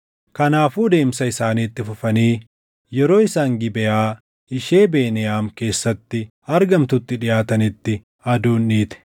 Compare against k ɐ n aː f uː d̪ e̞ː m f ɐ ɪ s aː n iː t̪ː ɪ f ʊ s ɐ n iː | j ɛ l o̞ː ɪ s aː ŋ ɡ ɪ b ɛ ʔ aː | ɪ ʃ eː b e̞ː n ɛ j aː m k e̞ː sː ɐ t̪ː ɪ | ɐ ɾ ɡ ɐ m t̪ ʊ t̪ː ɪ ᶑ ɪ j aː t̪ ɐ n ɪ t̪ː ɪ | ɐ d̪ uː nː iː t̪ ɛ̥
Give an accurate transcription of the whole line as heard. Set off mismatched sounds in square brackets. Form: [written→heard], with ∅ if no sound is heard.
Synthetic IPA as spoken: k ɐ n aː f uː d̪ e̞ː m [f→s] ɐ ɪ s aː n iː t̪ː ɪ f ʊ [s→f] ɐ n iː | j ɛ [l→ɾ] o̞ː ɪ s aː ŋ ɡ ɪ b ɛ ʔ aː | ɪ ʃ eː b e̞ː n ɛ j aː m k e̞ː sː ɐ t̪ː ɪ | ɐ ɾ ɡ ɐ m t̪ ʊ t̪ː ɪ ᶑ ɪ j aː t̪ ɐ n ɪ t̪ː ɪ | ɐ d̪ uː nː iː t̪ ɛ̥

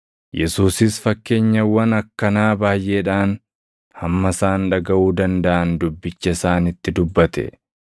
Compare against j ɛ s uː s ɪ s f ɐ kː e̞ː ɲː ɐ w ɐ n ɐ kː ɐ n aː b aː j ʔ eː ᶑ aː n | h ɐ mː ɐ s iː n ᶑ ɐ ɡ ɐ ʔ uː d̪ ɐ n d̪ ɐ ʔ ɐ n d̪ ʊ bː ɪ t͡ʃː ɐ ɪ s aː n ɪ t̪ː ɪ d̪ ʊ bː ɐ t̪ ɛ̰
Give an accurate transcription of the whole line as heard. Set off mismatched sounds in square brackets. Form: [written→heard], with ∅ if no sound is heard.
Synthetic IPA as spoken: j ɛ s uː s ɪ s f ɐ kː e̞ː ɲː ɐ w ɐ n ɐ kː ɐ n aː b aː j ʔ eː ᶑ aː n | h ɐ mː ɐ s [iː→aː] n ᶑ ɐ ɡ ɐ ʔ uː d̪ ɐ n d̪ ɐ ʔ ɐ n d̪ ʊ bː ɪ t͡ʃː ɐ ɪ s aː n ɪ t̪ː ɪ d̪ ʊ bː ɐ t̪ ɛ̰

